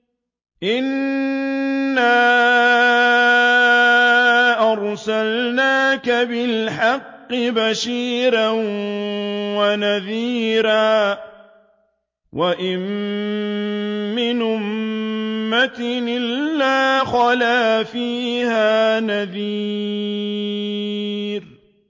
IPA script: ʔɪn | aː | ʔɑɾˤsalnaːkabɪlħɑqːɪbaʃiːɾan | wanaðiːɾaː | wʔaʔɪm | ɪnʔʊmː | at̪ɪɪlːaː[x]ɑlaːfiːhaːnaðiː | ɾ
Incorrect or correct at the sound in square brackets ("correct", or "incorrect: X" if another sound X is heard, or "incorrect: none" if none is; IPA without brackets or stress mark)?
correct